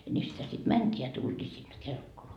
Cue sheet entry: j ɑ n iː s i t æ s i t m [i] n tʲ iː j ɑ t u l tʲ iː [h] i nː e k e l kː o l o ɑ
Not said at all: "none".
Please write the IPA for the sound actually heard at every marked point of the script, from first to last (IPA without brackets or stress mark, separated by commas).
æ, s